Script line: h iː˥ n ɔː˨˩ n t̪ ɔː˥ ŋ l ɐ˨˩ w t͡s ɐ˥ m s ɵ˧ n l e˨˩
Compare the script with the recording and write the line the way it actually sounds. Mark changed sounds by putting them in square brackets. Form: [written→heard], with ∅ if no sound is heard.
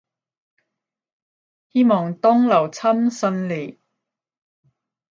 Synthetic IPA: h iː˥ [n→m] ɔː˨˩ [n→ŋ] t̪ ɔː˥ ŋ l ɐ˨˩ w [t͡s→t͡sʰ] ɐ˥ m s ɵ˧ n l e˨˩

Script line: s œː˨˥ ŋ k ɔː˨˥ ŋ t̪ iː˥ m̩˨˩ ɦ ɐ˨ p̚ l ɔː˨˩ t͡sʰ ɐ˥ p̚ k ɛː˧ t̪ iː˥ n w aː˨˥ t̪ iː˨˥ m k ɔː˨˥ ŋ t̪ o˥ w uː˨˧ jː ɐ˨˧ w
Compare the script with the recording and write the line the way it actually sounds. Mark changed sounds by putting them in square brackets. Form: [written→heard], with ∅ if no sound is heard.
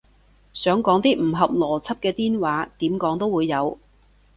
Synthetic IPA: s œː˨˥ ŋ k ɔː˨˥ ŋ t̪ iː˥ m̩˨˩ ɦ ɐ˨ p̚ l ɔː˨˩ t͡sʰ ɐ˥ p̚ k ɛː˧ t̪ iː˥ n w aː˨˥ t̪ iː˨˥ m k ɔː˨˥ ŋ t̪ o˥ w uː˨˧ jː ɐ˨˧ w

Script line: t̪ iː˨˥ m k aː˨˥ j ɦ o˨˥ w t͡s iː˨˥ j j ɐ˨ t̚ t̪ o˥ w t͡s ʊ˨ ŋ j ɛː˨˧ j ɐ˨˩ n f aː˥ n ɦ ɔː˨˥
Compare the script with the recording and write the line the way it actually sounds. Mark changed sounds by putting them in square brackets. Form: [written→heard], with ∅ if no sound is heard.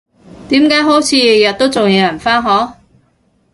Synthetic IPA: t̪ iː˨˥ m k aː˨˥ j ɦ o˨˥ w [t͡s→t͡sʰ] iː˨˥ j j ɐ˨ t̚ t̪ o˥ w t͡s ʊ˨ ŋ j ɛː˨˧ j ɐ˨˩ n f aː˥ n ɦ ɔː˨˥

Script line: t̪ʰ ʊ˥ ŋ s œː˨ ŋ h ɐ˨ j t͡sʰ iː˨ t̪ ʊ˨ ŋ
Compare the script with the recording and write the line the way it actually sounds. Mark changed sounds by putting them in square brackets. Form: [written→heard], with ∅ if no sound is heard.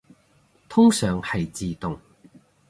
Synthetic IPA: t̪ʰ ʊ˥ ŋ s œː˨ ŋ h ɐ˨ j [t͡sʰ→t͡s] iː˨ t̪ ʊ˨ ŋ

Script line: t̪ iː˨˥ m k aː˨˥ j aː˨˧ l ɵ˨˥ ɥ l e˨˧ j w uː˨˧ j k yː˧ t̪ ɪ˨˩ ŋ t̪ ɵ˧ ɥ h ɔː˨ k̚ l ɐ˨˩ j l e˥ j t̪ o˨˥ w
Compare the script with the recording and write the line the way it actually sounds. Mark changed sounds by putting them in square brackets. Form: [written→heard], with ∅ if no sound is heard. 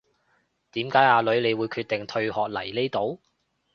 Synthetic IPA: t̪ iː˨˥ m k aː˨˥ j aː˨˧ l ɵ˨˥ ɥ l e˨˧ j w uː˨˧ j [k→kʰ] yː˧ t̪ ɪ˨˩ ŋ [t̪→t̪ʰ] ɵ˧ ɥ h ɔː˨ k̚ l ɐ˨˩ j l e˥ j t̪ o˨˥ w

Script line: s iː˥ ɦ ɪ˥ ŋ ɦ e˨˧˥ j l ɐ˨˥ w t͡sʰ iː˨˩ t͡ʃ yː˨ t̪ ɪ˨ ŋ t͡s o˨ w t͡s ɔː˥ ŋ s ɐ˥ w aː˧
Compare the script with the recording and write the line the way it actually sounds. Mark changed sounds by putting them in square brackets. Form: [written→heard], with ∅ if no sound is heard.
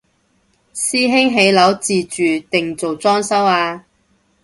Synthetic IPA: s iː˥ ɦ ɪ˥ ŋ ɦ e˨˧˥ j l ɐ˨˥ w [t͡sʰ→t͡s] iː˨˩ t͡ʃ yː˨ t̪ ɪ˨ ŋ t͡s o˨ w t͡s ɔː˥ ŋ s ɐ˥ w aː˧

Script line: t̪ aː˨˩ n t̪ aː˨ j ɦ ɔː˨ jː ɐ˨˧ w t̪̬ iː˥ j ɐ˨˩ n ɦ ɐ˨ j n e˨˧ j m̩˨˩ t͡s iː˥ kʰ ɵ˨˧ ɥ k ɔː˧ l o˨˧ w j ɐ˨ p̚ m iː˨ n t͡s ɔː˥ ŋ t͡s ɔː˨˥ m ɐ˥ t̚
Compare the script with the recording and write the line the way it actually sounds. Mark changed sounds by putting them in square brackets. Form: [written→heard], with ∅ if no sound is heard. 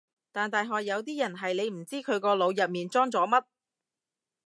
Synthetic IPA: t̪ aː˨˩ n t̪ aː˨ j ɦ ɔː˨ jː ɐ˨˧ w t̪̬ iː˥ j ɐ˨˩ n ɦ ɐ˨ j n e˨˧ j m̩˨˩ t͡s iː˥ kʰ ɵ˨˧ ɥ k ɔː˧ l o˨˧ w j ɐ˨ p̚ m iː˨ n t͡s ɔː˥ ŋ t͡s ɔː˨˥ m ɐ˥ t̚

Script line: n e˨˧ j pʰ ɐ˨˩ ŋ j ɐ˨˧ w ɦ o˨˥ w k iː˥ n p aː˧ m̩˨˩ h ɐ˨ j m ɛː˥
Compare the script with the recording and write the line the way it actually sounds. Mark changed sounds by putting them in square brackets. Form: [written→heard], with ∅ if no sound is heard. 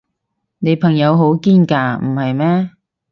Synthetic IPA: n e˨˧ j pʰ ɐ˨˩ ŋ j ɐ˨˧ w ɦ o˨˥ w k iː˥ n [p→k] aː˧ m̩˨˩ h ɐ˨ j m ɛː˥

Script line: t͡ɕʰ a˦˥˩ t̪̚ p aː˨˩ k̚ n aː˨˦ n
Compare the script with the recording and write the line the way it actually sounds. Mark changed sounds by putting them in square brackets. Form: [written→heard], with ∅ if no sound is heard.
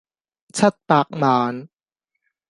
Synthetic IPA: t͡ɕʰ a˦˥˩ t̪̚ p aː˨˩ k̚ [n→m] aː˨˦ n

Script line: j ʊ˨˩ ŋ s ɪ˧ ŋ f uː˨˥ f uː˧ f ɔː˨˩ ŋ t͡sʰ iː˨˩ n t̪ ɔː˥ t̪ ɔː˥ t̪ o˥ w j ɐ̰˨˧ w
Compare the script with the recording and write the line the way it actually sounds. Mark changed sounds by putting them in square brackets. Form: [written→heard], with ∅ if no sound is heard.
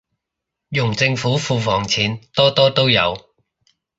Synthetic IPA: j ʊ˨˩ ŋ [s→t͡s] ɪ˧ ŋ f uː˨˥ f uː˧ f ɔː˨˩ ŋ t͡sʰ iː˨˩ n t̪ ɔː˥ t̪ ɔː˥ t̪ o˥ w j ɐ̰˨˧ w

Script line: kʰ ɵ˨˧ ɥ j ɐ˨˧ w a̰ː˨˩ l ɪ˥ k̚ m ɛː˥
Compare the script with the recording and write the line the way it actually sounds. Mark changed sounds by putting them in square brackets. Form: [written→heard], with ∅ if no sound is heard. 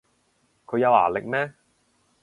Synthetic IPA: kʰ ɵ˨˧ ɥ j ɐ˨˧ w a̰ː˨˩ l [ɪ˥→ɪ˨] k̚ m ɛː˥

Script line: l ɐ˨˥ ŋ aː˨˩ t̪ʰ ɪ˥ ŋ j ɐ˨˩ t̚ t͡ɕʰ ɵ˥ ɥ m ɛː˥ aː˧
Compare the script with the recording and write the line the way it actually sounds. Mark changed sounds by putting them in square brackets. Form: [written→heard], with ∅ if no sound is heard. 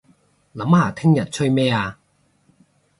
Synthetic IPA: l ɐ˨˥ [ŋ→m] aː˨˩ t̪ʰ ɪ˥ ŋ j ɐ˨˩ t̚ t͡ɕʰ ɵ˥ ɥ m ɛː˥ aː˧

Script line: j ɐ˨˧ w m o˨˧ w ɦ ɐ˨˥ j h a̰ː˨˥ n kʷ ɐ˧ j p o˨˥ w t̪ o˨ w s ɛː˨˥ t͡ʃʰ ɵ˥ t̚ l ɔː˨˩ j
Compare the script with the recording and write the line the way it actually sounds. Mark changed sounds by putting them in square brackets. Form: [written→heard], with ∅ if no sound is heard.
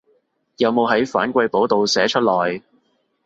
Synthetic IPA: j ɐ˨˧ w m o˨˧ w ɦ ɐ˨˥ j [h→f] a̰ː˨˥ n kʷ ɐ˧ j p o˨˥ w t̪ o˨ w s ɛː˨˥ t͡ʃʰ ɵ˥ t̚ l ɔː˨˩ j

